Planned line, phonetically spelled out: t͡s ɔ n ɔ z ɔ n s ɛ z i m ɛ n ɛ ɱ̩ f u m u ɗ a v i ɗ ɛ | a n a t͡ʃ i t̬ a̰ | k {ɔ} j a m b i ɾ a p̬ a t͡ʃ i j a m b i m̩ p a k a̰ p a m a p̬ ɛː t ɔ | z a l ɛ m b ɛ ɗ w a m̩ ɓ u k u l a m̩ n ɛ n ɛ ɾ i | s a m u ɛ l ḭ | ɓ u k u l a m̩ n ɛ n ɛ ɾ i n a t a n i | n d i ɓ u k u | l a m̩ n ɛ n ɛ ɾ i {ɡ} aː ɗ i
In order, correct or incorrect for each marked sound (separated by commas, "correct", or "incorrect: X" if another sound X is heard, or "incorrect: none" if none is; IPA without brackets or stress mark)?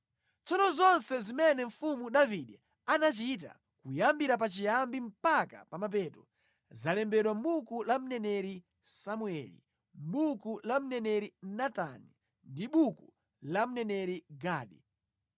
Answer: incorrect: u, correct